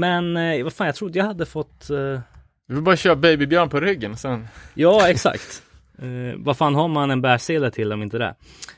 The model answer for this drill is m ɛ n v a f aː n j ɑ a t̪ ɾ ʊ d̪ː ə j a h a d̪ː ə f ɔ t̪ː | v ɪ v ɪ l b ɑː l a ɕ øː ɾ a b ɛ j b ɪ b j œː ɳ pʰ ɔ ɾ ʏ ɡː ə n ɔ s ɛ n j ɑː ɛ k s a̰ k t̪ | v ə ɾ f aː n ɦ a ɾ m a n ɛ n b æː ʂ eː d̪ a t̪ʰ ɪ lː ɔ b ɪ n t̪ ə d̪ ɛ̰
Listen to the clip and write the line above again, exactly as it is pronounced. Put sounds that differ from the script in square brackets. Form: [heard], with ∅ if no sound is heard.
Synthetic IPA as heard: m ɛ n v a f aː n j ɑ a t̪ ɾ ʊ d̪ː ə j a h a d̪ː ə f ɔ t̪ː | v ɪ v ɪ l b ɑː [ɾ] a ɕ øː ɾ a b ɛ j b ɪ b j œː ɳ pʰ ɔ ɾ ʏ ɡː ə n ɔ s ɛ n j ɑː ɛ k s a̰ k t̪ | v [a] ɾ f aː n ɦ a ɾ m a n ɛ n b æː ʂ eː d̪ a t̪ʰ ɪ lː ɔ [m] ɪ n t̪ ə d̪ ɛ̰